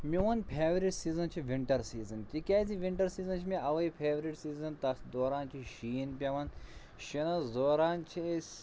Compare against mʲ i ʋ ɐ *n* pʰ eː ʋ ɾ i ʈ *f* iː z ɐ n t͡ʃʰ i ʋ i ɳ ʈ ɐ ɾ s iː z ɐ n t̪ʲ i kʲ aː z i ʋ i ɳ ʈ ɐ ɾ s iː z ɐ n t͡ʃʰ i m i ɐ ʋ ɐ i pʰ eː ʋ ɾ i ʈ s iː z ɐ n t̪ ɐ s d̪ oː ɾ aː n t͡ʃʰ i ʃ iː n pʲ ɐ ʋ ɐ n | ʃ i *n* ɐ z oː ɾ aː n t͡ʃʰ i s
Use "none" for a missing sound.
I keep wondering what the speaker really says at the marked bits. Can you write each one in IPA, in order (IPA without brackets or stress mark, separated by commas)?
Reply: n, s, n